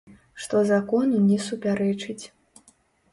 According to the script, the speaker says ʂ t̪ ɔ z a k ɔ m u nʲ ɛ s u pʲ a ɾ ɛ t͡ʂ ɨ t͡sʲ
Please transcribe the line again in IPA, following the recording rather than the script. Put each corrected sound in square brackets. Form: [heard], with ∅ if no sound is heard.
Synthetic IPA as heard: ʂ t̪ ɔ z a k ɔ [n] u nʲ ɛ s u pʲ a ɾ ɛ t͡ʂ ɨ t͡sʲ